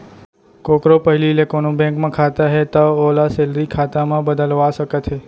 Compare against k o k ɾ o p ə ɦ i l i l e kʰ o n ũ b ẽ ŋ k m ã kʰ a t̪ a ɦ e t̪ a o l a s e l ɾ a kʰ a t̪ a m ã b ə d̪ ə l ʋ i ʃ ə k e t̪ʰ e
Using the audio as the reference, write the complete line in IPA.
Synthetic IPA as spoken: k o k ɾ o p ə ɦ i l i l e k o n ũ b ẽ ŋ k m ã kʰ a t̪ a ɦ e t̪ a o l a s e l ɾ i kʰ a t̪ a m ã b ə d̪ ə l ʋ a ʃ ə k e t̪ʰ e